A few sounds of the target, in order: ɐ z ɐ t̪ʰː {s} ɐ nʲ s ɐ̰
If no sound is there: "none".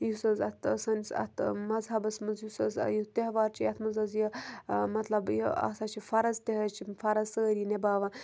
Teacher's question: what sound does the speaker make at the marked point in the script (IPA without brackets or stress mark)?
s